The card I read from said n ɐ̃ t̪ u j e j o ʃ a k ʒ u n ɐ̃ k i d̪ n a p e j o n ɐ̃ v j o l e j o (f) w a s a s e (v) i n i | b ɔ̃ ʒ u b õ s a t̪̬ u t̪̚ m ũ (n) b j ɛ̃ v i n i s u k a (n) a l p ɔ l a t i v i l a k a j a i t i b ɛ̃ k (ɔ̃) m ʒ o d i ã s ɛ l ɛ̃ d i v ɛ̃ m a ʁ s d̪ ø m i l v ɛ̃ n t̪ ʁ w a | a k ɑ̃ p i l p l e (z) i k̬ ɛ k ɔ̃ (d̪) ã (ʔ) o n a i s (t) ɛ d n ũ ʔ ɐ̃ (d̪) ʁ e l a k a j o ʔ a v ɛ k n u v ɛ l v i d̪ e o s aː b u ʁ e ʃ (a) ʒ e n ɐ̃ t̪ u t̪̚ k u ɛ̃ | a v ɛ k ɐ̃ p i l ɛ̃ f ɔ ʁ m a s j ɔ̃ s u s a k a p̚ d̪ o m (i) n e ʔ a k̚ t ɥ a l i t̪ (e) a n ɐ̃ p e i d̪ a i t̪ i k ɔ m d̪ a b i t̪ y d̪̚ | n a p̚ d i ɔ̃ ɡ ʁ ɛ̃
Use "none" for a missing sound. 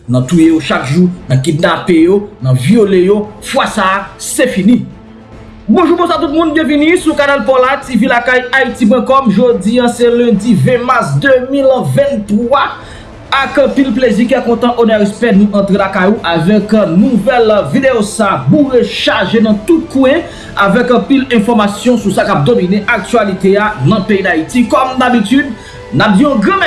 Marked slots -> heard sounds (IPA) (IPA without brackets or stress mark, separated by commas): f, f, n, n, ɔ, z, t̪, ʔ, p, t̪, a, i, e